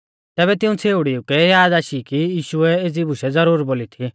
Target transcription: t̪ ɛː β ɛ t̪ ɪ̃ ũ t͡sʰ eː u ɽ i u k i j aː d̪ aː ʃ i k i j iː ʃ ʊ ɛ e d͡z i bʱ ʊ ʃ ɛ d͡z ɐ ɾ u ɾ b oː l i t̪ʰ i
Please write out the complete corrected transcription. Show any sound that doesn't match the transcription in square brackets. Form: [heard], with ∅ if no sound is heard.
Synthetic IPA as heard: t̪ ɛː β ɛ t̪ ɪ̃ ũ t͡sʰ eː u ɽ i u k [ɛ] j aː d̪ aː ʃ i k i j iː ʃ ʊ ɛ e d͡z i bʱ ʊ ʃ ɛ d͡z ɐ ɾ [uː] ɾ b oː l i t̪ʰ i